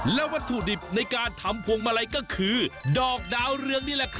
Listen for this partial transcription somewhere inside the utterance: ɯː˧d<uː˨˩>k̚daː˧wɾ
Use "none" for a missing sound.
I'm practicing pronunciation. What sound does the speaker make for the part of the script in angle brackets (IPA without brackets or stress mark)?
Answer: ɔː˨˩